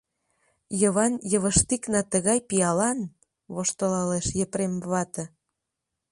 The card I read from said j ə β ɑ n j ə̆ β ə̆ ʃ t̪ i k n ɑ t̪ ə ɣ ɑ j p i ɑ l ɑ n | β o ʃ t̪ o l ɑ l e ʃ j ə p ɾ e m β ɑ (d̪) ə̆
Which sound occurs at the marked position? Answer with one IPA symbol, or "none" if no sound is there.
t̪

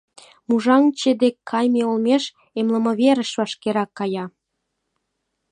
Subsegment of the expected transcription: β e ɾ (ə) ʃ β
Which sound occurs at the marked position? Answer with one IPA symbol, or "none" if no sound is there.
ə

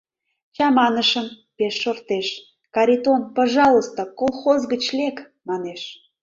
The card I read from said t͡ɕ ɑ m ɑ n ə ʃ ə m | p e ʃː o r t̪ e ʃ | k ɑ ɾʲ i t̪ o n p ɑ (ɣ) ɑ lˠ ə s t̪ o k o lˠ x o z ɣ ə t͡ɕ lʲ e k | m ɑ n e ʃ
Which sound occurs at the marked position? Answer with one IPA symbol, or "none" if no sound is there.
ʒ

